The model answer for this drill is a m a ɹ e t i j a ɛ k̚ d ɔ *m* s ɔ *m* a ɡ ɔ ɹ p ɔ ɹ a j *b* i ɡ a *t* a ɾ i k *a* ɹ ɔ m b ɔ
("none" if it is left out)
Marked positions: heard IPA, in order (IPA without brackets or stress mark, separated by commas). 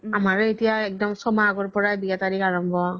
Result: m, m, b, t, a